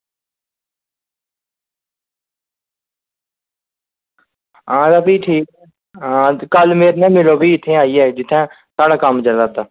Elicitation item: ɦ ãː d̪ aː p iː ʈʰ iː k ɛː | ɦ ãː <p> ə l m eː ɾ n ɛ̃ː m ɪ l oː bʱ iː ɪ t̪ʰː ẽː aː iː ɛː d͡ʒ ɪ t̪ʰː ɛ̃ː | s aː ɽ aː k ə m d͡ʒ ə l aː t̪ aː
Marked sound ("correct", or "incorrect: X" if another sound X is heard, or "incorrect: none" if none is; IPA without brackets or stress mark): incorrect: k